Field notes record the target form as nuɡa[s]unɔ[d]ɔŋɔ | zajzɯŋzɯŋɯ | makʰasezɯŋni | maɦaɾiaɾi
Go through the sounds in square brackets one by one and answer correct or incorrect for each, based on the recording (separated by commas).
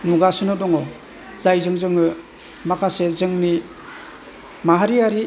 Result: correct, correct